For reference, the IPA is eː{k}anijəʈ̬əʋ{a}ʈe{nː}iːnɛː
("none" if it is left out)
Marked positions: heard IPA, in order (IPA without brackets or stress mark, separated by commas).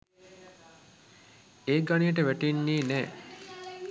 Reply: ɡ, æ, nː